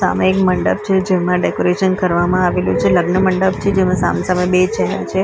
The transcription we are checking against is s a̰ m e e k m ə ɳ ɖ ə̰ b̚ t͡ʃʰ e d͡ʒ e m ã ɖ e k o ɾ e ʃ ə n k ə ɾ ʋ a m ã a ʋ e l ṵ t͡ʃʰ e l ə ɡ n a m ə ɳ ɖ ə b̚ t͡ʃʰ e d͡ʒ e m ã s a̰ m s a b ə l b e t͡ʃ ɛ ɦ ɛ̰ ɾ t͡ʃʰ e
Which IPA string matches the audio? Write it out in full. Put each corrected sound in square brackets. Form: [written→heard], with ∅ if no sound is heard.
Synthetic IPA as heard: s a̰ m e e k m ə ɳ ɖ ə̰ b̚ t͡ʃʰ e d͡ʒ e m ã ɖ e k o ɾ e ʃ ə n k ə ɾ ʋ a m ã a ʋ e l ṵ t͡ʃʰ e l ə ɡ n [a→ə] m ə ɳ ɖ ə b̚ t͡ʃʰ e d͡ʒ e m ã s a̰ m s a [b→m] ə [l→∅] b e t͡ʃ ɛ ɦ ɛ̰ ɾ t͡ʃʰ e

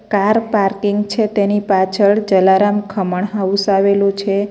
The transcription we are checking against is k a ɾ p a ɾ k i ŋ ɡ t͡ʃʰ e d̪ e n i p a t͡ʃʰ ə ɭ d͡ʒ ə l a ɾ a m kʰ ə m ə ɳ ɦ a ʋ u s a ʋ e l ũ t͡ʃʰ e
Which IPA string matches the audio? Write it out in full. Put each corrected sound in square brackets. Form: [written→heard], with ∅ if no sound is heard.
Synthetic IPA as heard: k a ɾ p a ɾ k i ŋ ɡ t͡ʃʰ e [d̪→t̪] e n i p a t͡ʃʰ ə ɭ d͡ʒ ə l a ɾ a m kʰ ə m ə ɳ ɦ a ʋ u s a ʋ e l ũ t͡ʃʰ e

